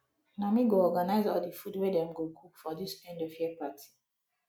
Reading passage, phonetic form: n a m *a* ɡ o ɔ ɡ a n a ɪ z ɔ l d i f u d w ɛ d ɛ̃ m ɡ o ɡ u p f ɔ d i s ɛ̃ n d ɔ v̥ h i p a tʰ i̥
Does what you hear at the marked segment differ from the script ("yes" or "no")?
yes